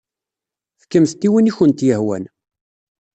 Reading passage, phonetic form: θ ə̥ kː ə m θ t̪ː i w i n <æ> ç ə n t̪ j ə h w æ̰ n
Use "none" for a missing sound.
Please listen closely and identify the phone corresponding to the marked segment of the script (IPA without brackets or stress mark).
i